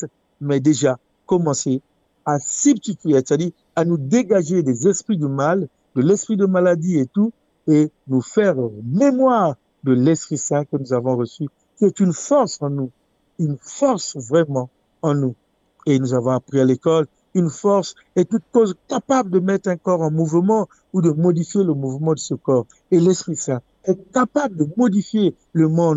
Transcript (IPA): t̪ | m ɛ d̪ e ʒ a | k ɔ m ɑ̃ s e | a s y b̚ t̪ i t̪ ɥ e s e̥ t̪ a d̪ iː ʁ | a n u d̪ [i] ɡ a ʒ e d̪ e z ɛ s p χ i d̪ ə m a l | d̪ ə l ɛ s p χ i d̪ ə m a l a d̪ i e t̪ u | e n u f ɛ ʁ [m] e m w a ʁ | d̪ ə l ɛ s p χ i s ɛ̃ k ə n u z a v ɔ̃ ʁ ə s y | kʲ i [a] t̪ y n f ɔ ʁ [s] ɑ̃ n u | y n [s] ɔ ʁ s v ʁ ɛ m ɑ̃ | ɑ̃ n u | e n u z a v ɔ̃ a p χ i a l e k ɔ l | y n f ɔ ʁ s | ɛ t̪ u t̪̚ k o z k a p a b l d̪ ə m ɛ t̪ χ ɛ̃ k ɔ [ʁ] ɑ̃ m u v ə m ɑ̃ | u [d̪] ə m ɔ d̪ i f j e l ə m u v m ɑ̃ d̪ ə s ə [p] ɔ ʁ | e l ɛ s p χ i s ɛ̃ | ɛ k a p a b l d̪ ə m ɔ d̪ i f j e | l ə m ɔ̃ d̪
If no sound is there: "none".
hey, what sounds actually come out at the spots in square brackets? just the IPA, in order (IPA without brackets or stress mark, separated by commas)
e, m, ɛ, s, f, ʁ, d̪, k